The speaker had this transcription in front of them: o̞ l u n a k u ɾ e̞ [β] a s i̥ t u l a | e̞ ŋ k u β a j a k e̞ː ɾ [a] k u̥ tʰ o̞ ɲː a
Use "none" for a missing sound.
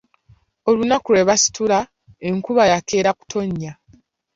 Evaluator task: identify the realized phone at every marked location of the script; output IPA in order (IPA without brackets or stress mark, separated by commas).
β, a